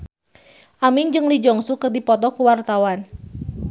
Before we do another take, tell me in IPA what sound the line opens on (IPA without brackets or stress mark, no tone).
ʔ